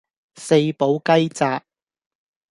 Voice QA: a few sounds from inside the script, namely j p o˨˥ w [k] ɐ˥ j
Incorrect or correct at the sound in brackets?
correct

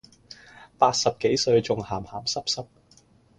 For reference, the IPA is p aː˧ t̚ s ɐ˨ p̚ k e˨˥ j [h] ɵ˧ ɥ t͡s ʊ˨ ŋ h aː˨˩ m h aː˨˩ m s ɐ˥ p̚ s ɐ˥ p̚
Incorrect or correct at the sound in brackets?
incorrect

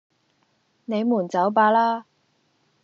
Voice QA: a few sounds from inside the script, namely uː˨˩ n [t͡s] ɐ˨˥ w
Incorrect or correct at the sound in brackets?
correct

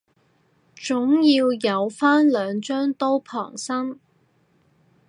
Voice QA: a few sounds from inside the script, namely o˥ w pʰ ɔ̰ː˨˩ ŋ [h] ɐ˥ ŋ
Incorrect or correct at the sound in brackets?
incorrect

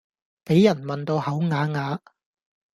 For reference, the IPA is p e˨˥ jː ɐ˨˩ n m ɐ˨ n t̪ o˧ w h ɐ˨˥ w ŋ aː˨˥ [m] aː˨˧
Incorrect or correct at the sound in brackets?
incorrect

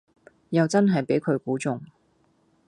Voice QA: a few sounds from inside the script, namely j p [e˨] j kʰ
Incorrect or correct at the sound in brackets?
incorrect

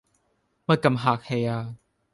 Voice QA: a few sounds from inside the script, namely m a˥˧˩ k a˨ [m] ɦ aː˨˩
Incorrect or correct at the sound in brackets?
correct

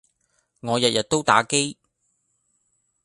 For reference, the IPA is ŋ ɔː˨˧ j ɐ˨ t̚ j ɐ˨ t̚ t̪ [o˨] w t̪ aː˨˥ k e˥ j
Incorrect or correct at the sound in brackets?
incorrect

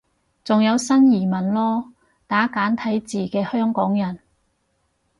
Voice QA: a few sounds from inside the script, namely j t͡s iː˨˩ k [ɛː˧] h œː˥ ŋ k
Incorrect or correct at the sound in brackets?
correct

